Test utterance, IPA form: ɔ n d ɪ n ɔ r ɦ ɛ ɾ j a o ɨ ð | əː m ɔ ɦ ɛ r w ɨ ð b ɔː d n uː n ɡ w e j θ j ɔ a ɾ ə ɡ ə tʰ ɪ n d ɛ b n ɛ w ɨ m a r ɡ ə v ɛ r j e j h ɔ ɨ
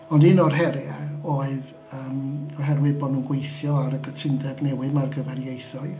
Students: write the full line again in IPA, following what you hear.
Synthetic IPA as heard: ɔ n d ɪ n ɔ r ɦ ɛ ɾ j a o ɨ ð | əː m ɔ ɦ ɛ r w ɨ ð b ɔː d n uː n ɡ w e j θ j ɔ a ɾ ə ɡ ə tʰ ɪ n d ɛ b n ɛ w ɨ m a r ɡ ə v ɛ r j e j θ ɔ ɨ

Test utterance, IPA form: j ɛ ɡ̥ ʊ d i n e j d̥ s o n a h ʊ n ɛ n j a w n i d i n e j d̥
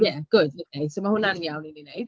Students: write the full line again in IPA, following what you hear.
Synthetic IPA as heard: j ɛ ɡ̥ ʊ d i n e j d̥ s o m a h ʊ n a n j a w n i n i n e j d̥

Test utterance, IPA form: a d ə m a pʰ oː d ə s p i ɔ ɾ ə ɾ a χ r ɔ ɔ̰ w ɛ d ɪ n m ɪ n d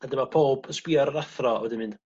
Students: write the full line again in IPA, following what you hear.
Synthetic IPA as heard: a d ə m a pʰ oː b ə s p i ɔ ɾ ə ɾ a θ r ɔ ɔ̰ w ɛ d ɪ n m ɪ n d

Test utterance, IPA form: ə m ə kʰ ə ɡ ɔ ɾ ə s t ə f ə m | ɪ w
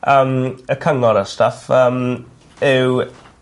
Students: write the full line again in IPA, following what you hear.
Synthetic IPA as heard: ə m ə kʰ ə ŋ ɔ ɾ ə s t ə f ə m | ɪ w

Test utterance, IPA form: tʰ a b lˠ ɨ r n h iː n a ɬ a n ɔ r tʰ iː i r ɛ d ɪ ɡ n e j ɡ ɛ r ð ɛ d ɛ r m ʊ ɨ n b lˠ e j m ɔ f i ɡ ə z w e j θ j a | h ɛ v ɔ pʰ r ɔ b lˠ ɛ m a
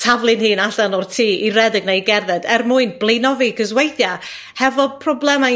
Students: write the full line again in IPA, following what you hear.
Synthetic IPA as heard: tʰ a v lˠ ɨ n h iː n a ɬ a n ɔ r tʰ iː i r ɛ d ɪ ɡ n e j ɡ ɛ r ð ɛ d ɛ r m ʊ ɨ n b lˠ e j n ɔ v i ɡ ə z w e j θ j a | h ɛ v ɔ pʰ r ɔ b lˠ ɛ m a

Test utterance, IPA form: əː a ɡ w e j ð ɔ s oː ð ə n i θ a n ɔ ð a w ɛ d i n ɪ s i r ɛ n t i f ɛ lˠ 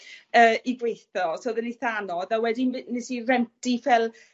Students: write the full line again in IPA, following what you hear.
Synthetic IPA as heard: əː i ɡ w e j θ ɔ s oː ð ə n i θ a n ɔ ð a w ɛ d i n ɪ s i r ɛ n t i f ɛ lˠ

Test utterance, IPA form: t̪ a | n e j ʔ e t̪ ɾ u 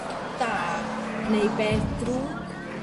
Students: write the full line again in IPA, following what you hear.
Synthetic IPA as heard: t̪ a | n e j p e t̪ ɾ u

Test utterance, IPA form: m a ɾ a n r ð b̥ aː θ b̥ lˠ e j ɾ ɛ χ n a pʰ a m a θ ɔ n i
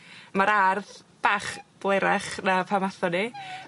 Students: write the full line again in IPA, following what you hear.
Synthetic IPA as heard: m a ɾ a r ð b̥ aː χ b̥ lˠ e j ɾ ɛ χ n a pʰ a m a θ ɔ n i

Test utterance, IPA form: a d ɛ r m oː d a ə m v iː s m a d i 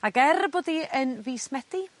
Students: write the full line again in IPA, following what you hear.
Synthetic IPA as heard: a ɡ ɛ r b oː d i ə n v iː s m ɛ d i

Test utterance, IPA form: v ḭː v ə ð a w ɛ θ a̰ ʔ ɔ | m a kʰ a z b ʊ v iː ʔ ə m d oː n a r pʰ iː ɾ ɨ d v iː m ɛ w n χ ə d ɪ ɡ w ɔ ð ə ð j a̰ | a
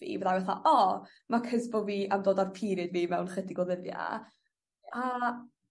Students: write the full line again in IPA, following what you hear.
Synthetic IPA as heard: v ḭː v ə ð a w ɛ θ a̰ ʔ ɔ | m a kʰ ə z b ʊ v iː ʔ a m d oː d a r pʰ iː ɾ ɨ d v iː m ɛ w n χ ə d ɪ ɡ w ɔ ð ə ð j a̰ | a

